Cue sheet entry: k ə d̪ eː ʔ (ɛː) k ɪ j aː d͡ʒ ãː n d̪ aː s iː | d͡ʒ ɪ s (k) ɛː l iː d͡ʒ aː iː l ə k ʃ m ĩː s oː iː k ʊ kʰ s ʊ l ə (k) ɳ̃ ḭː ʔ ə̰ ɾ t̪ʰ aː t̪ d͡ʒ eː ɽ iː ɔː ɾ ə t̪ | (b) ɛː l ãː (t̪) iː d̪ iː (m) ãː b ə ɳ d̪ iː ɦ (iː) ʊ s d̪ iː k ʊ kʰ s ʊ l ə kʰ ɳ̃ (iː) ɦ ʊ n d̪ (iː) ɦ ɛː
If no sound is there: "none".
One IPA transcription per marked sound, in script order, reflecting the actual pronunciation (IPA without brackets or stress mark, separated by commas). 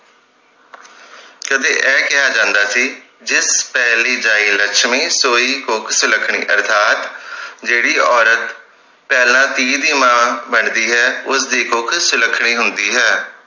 ɛː, p, kʰ, p, t̪, m, ɛː, iː, iː